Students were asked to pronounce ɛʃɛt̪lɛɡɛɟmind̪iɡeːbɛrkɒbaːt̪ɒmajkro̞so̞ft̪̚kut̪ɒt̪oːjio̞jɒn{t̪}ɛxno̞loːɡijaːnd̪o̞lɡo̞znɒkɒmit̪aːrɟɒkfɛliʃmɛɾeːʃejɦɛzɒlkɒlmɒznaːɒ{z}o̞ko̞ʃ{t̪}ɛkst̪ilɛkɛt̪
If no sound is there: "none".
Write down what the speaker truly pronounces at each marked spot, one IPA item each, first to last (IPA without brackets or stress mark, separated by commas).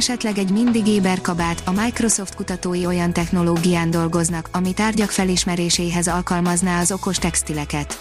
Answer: t̪, z, t̪